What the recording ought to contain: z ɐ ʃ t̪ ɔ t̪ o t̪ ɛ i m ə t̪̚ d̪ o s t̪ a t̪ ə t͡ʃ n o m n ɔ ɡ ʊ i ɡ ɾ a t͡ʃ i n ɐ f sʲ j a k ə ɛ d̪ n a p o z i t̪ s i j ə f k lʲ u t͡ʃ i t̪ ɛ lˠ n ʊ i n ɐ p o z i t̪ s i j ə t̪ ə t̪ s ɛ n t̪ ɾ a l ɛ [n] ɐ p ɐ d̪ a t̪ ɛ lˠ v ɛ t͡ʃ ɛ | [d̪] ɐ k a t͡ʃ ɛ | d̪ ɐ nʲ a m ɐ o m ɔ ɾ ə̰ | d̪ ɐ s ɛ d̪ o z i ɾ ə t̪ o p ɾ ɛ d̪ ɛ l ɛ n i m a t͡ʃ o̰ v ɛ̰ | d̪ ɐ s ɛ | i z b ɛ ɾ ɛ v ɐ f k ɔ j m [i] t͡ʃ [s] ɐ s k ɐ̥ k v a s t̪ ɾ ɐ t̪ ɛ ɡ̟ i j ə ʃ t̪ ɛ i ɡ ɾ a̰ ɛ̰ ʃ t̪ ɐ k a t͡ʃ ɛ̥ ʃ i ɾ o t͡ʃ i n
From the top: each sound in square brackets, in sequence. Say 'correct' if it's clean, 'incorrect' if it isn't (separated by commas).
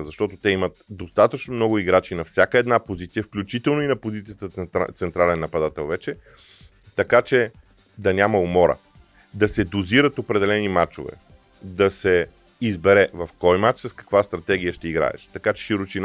incorrect, incorrect, incorrect, correct